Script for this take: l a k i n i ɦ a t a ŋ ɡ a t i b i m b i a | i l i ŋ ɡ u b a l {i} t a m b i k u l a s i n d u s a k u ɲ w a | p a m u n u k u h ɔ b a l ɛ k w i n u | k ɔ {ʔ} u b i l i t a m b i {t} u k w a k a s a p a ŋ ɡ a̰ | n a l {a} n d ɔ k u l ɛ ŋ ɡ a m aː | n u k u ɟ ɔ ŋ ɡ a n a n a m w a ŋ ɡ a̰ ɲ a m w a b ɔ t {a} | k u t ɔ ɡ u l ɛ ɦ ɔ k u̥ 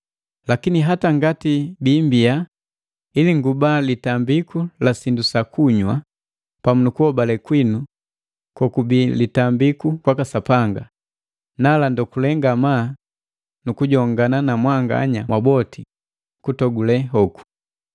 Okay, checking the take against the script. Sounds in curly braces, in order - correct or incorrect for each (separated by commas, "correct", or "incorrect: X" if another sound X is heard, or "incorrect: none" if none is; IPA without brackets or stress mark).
correct, incorrect: k, incorrect: k, correct, incorrect: i